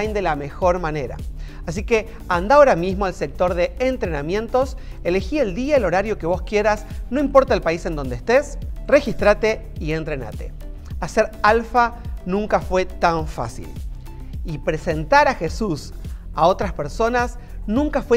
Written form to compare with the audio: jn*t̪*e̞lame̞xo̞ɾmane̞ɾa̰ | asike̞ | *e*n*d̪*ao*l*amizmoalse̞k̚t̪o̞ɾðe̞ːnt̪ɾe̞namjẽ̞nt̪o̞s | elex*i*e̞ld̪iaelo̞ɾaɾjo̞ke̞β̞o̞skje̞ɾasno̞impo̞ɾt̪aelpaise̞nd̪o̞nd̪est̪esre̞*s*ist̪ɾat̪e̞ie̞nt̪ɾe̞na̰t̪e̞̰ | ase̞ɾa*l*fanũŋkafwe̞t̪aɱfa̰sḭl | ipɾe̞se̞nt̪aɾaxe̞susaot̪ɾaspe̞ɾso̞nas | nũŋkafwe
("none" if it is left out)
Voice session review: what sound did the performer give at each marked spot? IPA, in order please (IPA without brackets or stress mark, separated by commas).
d̪, a, d̪, ɾ, i, x, l